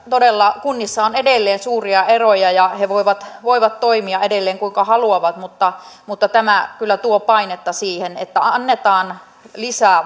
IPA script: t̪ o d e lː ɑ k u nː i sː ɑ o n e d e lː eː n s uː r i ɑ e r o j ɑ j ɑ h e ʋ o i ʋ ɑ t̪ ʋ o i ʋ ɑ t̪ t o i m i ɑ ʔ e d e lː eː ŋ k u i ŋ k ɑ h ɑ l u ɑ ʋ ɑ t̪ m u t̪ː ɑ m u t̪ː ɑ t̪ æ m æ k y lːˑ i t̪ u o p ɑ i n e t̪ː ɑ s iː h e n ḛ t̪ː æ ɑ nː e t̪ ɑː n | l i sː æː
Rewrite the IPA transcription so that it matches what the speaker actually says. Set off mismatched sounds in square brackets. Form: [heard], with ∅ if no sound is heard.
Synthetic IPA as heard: t̪ o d e lː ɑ k u nː i sː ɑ o n e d e lː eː n s uː r i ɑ e r o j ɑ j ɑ h e ʋ o i ʋ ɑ t̪ ʋ o i ʋ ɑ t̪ t o i m i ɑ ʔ e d e lː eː ŋ k u i ŋ k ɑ h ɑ l u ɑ ʋ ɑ t̪ m u t̪ː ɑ m u t̪ː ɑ t̪ æ m æ k y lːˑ [æ] t̪ u o p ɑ i n e t̪ː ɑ s iː h e n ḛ t̪ː æ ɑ nː e t̪ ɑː n | l i [s] æː